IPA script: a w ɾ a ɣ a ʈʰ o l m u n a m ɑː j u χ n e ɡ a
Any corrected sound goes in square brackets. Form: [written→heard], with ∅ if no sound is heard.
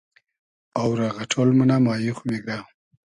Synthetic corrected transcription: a w ɾ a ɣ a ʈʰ o l m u n a m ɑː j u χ [n→m] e ɡ a